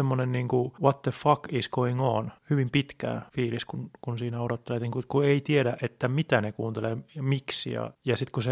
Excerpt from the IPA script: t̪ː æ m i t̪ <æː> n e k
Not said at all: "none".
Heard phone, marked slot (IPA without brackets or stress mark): æ